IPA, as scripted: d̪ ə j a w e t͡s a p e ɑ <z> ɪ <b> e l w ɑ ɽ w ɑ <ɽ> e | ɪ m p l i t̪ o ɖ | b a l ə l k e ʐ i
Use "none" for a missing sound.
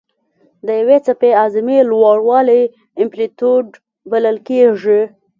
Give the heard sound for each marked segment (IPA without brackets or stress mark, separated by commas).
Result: z, m, l